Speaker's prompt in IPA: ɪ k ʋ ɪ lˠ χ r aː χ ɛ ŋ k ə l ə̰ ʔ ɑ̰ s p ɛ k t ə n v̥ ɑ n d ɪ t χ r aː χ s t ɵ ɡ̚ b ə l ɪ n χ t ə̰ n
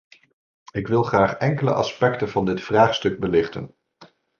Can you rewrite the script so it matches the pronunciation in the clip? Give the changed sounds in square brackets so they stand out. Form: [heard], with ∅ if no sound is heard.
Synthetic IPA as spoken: ɪ k ʋ ɪ lˠ χ r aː χ ɛ ŋ k ə l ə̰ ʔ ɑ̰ s p ɛ k t ə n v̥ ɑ n d ɪ t [f] r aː χ s t ɵ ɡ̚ b ə l ɪ [∅] χ t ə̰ n